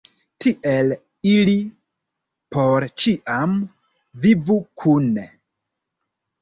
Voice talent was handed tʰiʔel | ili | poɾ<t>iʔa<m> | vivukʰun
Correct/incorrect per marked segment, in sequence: incorrect, correct

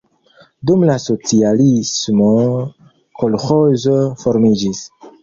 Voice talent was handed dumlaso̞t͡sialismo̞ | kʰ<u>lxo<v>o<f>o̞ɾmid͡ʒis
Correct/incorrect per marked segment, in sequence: incorrect, incorrect, correct

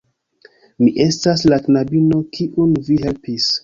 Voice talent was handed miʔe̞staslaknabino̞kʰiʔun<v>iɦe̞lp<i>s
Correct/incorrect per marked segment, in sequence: correct, correct

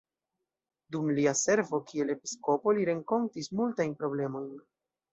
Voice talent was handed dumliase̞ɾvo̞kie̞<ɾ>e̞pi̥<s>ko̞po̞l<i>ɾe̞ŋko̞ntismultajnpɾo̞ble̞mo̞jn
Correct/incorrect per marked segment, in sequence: incorrect, correct, correct

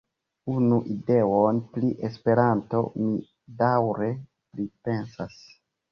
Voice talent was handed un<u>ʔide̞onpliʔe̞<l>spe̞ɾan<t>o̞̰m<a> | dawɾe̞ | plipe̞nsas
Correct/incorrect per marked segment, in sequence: correct, incorrect, correct, incorrect

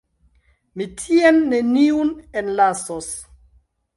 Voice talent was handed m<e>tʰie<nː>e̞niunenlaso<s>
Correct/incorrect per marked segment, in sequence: incorrect, correct, correct

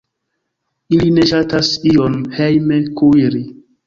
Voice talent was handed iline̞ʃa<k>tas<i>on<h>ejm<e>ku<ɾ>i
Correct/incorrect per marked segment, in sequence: incorrect, correct, correct, correct, correct

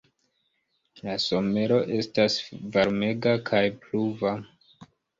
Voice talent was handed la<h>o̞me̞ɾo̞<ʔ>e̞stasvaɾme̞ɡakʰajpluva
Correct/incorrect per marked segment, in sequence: incorrect, correct

